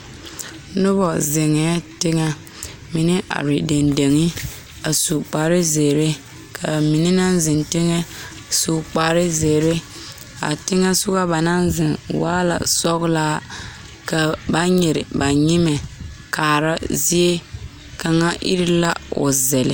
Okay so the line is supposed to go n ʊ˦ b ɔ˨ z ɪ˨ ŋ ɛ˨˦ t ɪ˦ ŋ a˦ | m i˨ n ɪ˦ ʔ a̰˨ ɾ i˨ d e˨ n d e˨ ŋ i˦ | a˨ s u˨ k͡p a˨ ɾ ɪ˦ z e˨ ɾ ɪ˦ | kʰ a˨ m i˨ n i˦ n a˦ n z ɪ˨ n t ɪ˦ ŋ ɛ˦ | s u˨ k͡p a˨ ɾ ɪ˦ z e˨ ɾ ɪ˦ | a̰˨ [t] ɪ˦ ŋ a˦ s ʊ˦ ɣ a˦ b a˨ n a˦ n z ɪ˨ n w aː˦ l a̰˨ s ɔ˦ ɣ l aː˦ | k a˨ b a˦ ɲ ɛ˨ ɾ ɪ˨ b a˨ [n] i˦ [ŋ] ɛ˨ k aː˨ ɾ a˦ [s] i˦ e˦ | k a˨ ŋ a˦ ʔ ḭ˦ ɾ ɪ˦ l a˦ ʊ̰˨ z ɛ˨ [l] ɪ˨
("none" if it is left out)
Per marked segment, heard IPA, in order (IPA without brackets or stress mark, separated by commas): t, ɲ, m, z, l